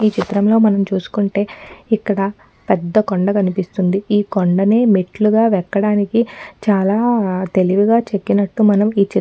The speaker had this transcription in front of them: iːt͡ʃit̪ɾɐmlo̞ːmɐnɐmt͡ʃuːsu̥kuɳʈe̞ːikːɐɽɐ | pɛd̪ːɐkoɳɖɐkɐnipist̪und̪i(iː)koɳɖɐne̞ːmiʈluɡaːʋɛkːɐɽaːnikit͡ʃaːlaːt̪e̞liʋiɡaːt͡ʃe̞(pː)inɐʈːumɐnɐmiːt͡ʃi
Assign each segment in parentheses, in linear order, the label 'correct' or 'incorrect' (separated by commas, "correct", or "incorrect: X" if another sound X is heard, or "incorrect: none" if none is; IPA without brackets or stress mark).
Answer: correct, incorrect: kː